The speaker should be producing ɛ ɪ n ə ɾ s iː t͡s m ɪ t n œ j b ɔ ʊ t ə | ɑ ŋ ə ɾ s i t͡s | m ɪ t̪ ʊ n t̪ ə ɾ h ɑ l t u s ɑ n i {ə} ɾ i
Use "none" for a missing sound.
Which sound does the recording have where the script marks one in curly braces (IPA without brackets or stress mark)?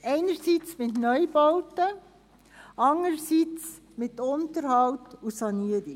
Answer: ə